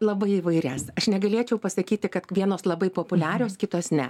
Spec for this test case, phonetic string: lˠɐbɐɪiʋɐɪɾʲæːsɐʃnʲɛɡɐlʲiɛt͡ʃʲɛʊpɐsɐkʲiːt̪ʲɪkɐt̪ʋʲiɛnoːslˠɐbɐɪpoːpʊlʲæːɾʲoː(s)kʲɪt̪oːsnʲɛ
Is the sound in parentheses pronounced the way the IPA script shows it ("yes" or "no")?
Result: yes